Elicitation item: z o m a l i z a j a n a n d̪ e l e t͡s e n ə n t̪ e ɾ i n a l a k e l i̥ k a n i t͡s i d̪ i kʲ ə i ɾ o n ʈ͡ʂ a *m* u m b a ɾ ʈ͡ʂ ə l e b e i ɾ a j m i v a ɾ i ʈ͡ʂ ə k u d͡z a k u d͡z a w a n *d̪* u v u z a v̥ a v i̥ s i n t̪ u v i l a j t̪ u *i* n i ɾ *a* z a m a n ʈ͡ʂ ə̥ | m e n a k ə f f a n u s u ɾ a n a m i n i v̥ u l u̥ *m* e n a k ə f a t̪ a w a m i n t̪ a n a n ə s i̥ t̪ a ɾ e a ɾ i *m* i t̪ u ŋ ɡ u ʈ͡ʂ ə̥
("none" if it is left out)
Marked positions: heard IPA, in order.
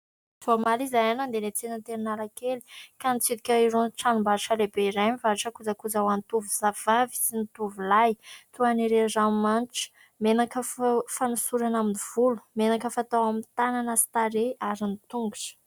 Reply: n, t̪, a, e, m, n

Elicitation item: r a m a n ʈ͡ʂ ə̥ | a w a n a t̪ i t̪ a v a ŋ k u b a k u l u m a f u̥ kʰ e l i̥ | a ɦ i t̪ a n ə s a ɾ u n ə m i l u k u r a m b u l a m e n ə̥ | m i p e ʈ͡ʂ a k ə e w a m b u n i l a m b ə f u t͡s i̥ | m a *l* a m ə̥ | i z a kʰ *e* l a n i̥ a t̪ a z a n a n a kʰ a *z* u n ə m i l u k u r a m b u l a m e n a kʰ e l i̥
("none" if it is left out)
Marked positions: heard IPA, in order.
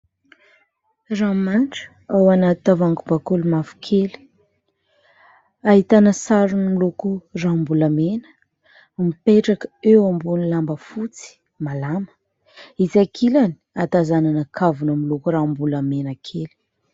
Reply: l, i, v

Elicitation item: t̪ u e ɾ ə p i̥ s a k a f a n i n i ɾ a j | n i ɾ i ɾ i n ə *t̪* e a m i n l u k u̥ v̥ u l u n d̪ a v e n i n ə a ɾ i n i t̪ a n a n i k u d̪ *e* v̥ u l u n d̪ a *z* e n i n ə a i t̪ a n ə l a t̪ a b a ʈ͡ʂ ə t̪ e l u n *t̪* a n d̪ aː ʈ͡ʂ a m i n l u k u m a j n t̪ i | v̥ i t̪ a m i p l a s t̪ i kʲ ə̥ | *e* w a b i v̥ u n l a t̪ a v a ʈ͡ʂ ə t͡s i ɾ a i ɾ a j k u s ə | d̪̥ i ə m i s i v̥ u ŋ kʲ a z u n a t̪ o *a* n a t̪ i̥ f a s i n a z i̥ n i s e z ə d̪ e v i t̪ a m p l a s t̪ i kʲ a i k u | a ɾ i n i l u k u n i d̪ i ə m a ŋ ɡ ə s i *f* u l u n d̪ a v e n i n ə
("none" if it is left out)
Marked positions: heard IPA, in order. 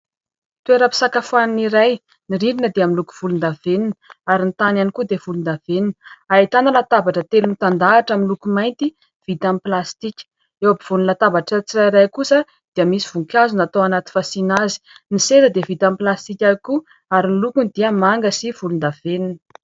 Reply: d̪, e, v, t̪, e, a, v

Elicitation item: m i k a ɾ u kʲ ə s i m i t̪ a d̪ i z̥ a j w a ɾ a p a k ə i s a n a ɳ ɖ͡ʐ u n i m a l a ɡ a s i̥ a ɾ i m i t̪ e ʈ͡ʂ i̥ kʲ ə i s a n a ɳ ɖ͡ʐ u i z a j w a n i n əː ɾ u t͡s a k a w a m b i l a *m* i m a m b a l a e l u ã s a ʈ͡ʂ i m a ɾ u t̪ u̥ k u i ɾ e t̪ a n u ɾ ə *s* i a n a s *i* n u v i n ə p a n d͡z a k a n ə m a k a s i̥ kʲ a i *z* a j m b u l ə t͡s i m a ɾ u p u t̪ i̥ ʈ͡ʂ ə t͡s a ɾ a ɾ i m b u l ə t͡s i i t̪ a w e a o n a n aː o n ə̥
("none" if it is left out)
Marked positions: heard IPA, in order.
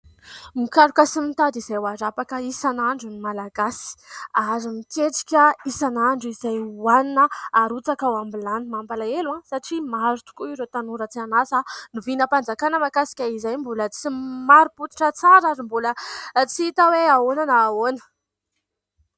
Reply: n, t͡s, a, z

